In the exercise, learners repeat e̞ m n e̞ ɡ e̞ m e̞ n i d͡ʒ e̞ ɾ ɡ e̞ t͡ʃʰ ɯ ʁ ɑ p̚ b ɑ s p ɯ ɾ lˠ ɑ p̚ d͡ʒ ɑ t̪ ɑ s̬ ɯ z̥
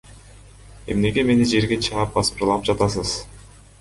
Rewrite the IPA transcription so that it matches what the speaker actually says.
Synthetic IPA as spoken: e̞ m n e̞ ɡ e̞ m e̞ n i d͡ʒ e̞ ɾ ɡ e̞ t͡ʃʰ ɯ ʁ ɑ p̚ b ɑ s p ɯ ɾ lˠ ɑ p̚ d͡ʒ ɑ t̪ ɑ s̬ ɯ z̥